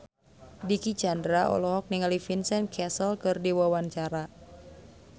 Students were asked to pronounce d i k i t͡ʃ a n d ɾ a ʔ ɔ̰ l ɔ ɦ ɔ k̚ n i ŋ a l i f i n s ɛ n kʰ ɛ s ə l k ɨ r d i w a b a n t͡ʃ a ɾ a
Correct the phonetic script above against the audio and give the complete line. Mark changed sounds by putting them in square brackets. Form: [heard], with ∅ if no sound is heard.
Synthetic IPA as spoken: d i k i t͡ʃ a n d ɾ a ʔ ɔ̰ l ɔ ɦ ɔ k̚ n i ŋ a l i f i n s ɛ n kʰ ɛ s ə l k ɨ r d i w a [w] a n t͡ʃ a ɾ a